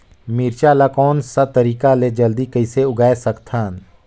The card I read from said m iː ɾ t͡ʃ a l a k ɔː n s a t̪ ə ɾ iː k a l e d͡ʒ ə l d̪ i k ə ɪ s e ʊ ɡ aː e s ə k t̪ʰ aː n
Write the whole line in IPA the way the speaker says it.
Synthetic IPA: m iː ɾ t͡ʃ a l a k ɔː n s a t̪ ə ɾ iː k a l e d͡ʒ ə l d̪ i k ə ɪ s e ʊ ɡ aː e s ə k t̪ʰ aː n